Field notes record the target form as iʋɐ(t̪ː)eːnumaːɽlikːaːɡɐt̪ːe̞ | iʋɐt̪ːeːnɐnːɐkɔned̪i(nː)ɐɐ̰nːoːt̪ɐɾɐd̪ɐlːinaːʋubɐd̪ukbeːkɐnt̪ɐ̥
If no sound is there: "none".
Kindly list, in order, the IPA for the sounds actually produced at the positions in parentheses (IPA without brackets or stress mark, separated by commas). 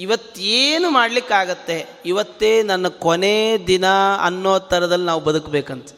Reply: t̪ː, n